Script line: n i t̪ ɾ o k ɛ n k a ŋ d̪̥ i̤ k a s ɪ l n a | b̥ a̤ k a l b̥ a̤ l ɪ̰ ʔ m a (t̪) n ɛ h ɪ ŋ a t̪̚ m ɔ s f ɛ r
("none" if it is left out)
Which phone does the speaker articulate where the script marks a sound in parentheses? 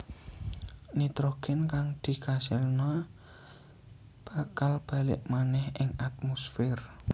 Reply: none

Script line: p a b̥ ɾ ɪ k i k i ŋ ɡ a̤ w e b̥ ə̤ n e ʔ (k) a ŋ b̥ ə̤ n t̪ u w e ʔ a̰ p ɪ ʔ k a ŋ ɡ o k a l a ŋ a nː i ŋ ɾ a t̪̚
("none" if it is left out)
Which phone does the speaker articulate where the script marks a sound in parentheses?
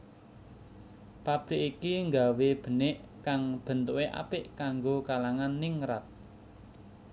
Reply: k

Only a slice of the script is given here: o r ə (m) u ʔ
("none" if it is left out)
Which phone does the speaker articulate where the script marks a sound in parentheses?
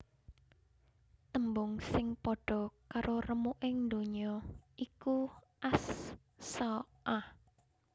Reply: m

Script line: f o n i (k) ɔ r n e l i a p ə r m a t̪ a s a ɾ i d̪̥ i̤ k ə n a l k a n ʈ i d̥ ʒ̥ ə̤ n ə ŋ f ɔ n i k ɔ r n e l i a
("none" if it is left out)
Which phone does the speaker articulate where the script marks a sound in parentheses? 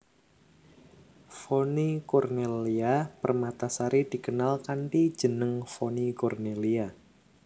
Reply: k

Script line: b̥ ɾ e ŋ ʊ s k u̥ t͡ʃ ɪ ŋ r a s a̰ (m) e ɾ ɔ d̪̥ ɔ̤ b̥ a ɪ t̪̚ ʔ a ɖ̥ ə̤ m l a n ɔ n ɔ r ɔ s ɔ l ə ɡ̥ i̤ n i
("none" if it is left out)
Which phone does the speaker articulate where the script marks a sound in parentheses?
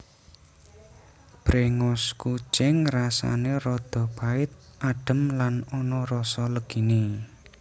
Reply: n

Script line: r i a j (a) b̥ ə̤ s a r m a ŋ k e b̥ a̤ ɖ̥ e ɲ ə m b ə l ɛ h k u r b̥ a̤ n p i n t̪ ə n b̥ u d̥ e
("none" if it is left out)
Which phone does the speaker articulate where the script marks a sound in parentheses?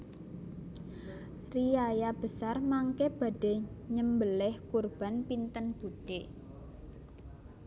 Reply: a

